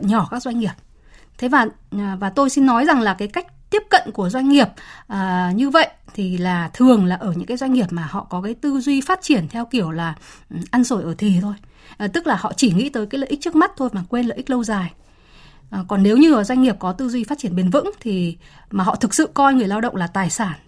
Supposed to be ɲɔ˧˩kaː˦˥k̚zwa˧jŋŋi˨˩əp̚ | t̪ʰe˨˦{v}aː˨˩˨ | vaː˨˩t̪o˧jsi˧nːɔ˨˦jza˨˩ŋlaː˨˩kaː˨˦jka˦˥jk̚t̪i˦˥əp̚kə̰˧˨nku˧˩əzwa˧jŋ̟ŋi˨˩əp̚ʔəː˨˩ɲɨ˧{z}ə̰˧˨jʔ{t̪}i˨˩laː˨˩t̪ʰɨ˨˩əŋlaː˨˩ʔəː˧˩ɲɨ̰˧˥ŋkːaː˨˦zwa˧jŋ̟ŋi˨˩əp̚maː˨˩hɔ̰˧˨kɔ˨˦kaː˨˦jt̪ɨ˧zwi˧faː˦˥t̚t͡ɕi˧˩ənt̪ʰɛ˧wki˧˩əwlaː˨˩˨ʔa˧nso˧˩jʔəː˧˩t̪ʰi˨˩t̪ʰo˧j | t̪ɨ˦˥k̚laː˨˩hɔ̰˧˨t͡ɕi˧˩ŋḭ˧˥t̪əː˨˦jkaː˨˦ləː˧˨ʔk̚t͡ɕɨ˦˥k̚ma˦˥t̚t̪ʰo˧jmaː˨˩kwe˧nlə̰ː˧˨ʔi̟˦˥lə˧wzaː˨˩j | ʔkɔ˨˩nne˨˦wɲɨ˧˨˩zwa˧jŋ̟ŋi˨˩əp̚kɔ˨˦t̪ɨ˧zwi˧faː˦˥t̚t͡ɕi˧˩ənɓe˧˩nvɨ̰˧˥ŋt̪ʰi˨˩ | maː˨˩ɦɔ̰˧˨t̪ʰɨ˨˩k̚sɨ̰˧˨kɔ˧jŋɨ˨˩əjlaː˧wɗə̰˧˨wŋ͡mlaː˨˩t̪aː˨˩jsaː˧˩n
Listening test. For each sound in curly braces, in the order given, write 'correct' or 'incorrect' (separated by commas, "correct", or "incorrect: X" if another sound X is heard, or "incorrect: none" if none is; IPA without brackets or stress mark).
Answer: correct, incorrect: v, incorrect: t̪ʰ